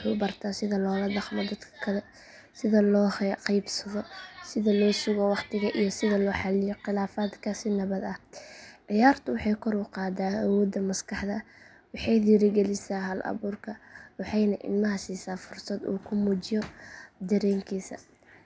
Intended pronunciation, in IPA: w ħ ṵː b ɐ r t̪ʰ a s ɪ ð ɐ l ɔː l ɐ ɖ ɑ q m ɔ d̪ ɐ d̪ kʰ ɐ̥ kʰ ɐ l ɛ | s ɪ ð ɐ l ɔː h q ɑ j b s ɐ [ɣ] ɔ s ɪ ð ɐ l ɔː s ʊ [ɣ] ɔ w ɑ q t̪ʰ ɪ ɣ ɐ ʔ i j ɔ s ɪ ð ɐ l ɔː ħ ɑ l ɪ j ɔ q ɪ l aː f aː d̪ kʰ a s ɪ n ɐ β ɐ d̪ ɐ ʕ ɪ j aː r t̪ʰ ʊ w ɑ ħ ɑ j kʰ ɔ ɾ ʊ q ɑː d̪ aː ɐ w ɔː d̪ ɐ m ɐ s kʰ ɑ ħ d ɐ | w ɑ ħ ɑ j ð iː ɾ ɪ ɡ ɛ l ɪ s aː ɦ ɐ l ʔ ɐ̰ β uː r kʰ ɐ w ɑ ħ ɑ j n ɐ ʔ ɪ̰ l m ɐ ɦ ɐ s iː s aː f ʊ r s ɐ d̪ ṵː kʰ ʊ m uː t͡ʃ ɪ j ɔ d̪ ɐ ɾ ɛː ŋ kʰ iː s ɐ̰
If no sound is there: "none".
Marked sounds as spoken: ð, ɣ

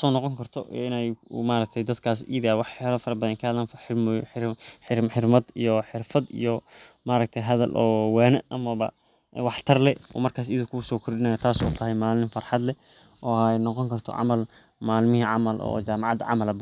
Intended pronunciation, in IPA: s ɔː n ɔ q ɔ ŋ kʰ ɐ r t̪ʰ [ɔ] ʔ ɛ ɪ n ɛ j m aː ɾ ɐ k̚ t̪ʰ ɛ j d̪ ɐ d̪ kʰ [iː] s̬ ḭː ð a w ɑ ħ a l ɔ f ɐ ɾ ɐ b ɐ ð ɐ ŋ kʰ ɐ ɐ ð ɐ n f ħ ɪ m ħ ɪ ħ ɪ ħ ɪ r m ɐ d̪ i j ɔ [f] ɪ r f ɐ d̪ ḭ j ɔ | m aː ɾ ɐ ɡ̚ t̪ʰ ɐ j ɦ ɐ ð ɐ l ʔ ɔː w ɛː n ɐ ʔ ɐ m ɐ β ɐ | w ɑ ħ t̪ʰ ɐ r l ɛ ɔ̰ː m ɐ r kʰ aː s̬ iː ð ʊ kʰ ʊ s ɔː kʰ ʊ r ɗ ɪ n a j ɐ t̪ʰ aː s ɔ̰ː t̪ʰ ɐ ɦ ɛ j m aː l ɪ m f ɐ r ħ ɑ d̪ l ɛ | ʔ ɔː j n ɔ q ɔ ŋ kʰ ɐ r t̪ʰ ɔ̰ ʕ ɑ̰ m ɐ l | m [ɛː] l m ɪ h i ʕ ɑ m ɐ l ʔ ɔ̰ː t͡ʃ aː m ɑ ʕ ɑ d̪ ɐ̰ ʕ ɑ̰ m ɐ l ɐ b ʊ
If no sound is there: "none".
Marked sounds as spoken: ɔ, aː, ħ, aː

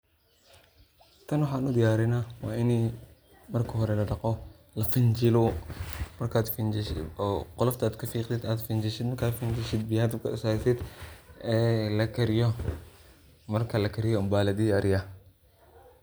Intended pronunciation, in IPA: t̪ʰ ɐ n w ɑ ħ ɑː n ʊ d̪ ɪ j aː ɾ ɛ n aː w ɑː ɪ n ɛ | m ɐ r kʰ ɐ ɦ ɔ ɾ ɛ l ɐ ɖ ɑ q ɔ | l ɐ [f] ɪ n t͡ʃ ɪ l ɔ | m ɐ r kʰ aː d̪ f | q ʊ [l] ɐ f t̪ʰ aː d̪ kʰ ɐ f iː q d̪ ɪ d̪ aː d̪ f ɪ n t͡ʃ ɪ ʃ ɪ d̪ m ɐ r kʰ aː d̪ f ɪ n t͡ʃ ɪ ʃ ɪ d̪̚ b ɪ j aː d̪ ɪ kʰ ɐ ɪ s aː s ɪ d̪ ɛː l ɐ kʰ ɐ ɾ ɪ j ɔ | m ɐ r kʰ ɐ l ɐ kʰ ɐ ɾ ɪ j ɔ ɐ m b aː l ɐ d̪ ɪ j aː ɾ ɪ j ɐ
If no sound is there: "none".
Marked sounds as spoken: f, l

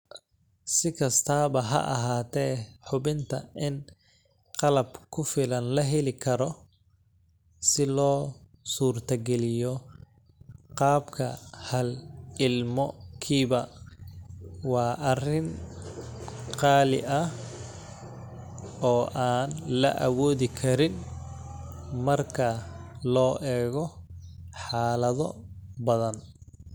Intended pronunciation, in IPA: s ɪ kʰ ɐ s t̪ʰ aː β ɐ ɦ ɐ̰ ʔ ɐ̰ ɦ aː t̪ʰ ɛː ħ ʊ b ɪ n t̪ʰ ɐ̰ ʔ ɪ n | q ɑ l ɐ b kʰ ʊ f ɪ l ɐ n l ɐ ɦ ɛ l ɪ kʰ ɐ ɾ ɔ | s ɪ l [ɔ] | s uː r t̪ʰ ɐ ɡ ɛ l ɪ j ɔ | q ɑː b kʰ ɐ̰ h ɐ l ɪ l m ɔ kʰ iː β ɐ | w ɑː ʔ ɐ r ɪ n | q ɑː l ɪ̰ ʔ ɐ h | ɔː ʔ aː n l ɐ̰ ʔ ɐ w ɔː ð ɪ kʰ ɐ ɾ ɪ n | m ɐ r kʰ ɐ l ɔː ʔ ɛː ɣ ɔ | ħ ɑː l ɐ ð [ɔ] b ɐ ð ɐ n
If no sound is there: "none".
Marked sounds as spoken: ɔː, ɔ

